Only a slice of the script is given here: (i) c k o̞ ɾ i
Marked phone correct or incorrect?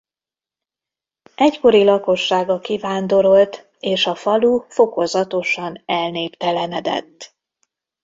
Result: incorrect